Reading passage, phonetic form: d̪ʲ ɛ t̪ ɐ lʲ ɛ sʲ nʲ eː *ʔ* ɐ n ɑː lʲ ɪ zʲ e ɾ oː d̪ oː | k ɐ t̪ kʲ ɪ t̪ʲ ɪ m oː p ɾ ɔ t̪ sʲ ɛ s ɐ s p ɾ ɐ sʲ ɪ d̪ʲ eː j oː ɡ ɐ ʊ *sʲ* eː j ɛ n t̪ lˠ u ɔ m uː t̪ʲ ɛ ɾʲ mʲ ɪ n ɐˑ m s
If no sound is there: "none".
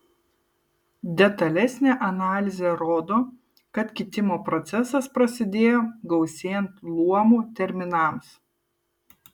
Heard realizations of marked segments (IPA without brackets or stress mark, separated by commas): ʔ, sʲ